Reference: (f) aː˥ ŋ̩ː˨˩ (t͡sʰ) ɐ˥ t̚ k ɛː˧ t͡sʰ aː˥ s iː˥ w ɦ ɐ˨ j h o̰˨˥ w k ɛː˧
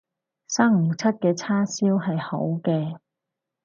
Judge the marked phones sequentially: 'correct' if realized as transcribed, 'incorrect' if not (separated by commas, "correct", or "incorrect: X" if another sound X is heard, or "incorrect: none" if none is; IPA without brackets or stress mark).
incorrect: s, correct